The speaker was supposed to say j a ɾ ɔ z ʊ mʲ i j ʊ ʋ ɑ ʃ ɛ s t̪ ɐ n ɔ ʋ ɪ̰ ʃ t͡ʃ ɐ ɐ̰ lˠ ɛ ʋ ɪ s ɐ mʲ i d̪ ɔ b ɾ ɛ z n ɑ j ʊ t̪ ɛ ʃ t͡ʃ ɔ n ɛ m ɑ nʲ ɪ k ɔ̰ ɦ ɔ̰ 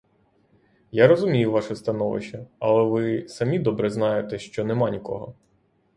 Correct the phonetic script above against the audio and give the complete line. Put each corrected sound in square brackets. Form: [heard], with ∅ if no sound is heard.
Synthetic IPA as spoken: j a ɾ ɔ z ʊ mʲ i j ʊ ʋ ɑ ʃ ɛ s t̪ ɐ n ɔ ʋ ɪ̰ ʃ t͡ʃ ɐ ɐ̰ lˠ ɛ ʋ ɪ s ɐ mʲ i d̪ ɔ b ɾ ɛ z n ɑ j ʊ t̪ ɛ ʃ t͡ʃ ɔ n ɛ m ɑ nʲ [i] k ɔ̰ ɦ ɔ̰